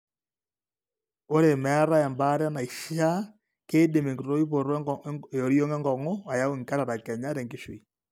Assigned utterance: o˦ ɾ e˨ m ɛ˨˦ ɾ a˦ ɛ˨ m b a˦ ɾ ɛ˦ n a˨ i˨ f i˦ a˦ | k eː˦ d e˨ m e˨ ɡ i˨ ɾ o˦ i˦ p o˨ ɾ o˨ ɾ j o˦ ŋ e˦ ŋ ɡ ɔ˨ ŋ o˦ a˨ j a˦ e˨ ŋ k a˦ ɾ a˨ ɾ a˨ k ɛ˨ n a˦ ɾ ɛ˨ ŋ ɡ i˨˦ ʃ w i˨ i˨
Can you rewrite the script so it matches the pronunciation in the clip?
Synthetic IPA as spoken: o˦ ɾ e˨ m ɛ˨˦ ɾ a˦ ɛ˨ m b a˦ ɾ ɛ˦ n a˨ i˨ ʃ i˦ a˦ | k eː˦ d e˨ m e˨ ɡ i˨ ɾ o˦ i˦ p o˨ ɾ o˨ ɾ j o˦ ŋ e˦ ŋ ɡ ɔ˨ ŋ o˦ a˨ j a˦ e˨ ŋ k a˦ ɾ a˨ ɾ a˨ k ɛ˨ ɲ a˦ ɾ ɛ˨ ŋ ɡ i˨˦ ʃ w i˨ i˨